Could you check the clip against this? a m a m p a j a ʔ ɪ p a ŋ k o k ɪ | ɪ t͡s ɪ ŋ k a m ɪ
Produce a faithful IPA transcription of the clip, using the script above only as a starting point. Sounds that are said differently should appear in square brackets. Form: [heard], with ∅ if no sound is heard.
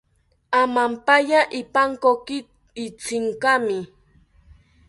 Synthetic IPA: a m a m p a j a ʔ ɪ p a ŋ k o k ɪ | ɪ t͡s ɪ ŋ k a m ɪ